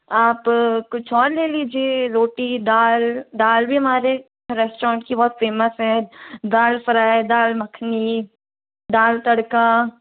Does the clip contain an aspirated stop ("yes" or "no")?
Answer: yes